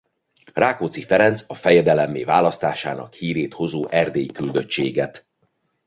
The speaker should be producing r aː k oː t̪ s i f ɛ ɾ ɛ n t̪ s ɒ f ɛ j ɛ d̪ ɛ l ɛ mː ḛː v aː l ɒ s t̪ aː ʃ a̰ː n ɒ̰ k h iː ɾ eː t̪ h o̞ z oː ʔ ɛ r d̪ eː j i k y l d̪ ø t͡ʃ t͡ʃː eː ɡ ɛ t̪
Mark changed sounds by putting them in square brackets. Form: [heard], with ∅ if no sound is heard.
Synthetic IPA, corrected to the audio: r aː k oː t̪ s i f ɛ ɾ ɛ n t̪ s ɒ f ɛ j ɛ d̪ ɛ l ɛ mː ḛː v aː l ɒ s t̪ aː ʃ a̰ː n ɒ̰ k h iː ɾ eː t̪ h o̞ z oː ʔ ɛ r d̪ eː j i k y l d̪ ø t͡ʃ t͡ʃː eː ɡ ɛ t̪